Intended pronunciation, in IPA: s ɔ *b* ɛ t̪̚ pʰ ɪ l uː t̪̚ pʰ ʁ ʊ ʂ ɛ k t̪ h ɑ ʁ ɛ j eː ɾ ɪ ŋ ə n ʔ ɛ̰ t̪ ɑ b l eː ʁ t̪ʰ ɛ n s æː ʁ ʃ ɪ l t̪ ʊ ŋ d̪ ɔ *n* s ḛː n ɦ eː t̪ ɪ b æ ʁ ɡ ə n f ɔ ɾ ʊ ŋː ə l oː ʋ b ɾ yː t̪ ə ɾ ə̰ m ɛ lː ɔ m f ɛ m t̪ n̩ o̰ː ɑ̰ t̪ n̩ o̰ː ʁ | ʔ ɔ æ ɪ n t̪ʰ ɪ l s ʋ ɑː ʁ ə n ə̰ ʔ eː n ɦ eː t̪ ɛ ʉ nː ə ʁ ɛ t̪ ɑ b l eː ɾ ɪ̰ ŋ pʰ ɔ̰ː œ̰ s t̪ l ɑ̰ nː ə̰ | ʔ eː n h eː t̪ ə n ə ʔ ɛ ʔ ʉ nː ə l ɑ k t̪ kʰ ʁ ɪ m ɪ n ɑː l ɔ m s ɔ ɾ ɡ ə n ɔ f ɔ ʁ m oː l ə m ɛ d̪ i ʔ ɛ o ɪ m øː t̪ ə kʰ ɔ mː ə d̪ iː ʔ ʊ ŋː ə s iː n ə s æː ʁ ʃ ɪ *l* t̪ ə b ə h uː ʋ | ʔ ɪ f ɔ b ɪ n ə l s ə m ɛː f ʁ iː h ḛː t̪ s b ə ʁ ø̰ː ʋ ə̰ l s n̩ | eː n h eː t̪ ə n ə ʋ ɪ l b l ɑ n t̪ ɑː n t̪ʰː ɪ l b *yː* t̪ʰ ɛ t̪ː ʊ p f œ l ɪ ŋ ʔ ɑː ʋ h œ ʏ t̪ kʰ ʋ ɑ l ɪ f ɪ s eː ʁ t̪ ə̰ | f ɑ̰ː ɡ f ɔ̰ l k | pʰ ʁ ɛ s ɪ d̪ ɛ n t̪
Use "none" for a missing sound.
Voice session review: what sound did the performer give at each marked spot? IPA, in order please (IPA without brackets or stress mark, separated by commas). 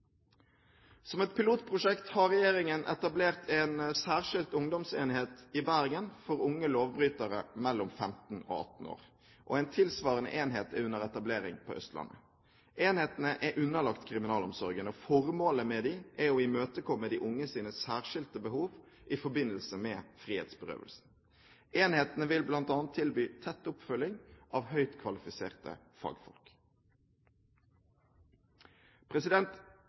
m, m, l, yː